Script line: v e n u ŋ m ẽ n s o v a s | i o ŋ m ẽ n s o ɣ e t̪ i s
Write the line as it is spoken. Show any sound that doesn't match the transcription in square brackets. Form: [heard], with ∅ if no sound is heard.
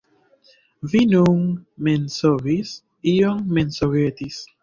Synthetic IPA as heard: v [i] n u ŋ m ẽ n s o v [i] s | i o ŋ m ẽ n s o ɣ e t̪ i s